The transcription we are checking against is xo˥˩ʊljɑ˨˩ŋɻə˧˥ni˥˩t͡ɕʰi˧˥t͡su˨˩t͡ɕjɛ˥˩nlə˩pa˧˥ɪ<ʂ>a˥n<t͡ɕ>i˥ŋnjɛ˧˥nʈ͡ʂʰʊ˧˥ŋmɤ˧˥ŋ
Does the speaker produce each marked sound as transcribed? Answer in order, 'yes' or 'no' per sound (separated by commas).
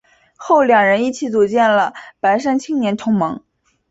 yes, no